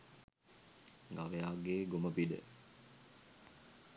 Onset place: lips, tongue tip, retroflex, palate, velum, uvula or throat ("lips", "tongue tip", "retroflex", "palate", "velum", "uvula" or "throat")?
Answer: velum